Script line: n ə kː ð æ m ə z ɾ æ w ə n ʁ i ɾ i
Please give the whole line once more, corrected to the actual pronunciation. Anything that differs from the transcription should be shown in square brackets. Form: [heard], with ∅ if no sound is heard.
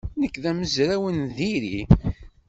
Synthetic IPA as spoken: n ə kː ð æ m ə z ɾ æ w ə n [ð] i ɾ i